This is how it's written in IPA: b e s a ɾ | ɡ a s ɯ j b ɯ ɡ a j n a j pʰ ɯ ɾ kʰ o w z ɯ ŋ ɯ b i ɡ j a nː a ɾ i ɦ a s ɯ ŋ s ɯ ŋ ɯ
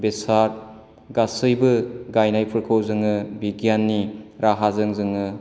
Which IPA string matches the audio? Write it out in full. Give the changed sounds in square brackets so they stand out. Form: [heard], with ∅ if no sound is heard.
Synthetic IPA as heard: b e s a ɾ | ɡ a s ɯ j b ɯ ɡ a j n a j pʰ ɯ ɾ kʰ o w z ɯ ŋ ɯ b i ɡ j a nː [i] ɾ [a] ɦ a [z] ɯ ŋ [z] ɯ ŋ ɯ